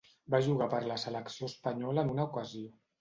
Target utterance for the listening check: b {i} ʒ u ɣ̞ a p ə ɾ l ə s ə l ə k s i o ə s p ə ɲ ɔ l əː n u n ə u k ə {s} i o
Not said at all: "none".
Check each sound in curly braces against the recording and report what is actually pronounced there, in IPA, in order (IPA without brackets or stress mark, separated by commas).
a, z